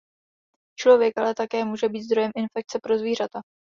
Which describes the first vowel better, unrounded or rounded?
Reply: rounded